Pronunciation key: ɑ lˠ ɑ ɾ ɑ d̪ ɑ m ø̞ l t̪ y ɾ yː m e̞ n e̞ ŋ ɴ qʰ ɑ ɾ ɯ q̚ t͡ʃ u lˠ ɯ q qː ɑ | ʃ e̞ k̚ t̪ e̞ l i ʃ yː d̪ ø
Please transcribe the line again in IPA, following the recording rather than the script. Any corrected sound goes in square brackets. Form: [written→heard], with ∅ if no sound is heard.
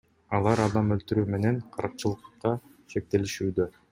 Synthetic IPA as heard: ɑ lˠ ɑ ɾ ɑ d̪ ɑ m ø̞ l t̪ y ɾ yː m e̞ n e̞ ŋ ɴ qʰ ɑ ɾ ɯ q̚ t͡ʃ [u→ɯ] lˠ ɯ q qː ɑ | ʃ e̞ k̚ t̪ e̞ l i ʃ yː d̪ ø